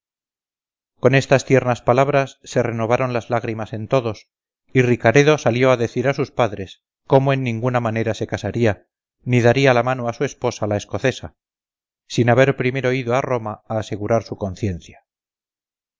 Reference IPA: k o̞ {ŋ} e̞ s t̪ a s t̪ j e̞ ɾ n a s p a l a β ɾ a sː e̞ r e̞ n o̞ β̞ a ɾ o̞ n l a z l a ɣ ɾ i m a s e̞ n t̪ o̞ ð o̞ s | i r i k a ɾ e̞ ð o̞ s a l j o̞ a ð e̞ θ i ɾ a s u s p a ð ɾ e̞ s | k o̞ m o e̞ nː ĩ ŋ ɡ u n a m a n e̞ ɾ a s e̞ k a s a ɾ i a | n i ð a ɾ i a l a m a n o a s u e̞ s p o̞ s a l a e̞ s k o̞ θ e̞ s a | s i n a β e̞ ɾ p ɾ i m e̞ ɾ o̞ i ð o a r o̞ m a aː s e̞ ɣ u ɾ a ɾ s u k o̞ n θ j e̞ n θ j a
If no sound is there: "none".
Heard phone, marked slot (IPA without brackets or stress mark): n